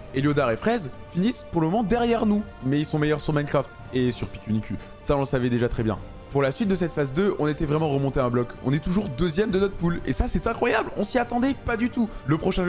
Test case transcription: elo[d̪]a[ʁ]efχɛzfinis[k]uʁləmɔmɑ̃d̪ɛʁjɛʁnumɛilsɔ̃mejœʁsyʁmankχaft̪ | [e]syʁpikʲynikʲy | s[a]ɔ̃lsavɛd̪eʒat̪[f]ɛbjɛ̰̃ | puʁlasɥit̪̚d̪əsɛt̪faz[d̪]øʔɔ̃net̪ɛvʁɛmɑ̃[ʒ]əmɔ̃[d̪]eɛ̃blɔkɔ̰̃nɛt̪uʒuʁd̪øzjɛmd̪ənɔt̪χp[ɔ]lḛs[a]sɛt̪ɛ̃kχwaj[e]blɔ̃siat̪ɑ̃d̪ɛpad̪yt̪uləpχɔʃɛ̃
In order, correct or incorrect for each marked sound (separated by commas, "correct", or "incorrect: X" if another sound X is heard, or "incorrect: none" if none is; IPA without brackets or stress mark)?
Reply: correct, correct, incorrect: p, correct, correct, incorrect: χ, correct, incorrect: ʁ, incorrect: t̪, incorrect: u, correct, incorrect: a